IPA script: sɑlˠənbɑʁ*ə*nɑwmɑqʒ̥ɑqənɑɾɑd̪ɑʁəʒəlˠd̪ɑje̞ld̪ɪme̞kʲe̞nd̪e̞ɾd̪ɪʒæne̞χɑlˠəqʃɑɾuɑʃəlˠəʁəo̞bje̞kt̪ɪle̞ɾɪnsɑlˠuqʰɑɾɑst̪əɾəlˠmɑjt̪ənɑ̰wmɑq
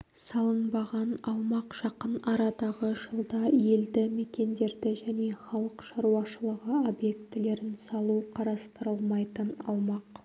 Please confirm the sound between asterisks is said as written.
no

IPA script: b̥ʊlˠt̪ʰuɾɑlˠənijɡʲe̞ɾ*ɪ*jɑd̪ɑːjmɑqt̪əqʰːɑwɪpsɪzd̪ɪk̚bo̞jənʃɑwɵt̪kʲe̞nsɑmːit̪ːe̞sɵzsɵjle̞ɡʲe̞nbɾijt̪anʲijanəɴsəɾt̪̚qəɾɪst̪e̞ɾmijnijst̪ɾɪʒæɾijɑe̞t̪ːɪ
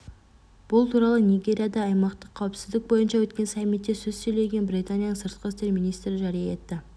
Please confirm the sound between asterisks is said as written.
no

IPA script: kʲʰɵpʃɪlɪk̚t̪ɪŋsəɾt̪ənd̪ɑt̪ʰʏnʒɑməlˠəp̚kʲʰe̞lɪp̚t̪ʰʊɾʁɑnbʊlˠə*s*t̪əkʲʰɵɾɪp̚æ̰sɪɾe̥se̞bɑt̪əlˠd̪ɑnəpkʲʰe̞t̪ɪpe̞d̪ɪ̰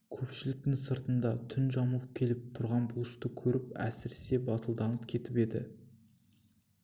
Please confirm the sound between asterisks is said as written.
no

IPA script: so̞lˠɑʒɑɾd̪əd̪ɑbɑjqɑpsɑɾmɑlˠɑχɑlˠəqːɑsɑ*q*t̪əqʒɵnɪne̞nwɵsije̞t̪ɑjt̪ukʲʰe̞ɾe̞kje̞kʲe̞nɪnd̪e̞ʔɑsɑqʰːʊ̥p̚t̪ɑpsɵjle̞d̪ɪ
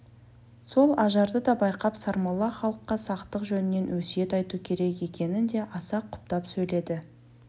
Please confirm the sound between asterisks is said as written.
yes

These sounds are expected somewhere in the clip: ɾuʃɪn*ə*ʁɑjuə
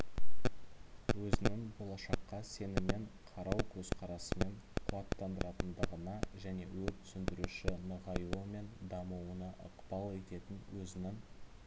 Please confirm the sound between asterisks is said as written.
yes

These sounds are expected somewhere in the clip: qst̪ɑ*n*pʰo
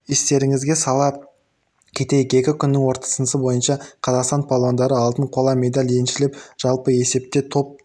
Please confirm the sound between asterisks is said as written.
yes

